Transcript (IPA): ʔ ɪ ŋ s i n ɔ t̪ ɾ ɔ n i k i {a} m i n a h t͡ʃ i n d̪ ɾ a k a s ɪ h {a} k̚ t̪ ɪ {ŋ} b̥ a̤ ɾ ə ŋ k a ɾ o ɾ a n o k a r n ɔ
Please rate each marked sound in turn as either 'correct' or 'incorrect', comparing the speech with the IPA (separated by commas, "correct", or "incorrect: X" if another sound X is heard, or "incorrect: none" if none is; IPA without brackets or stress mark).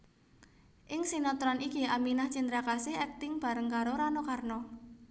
correct, incorrect: ɛ, correct